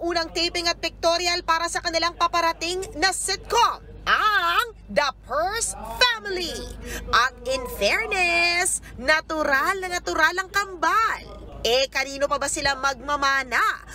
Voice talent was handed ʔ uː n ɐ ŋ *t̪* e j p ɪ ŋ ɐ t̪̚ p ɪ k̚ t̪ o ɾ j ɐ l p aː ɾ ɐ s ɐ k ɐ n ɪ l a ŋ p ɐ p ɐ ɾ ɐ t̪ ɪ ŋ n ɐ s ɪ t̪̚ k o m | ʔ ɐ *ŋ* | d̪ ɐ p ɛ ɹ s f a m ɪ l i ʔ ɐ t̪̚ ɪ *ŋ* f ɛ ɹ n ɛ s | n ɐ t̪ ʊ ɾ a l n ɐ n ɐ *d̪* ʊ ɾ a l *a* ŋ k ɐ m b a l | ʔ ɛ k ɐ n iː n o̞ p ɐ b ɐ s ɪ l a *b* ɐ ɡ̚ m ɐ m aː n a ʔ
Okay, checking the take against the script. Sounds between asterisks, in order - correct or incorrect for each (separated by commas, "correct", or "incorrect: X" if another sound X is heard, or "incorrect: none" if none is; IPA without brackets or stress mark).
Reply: correct, correct, incorrect: n, incorrect: t̪, incorrect: ɐ, incorrect: m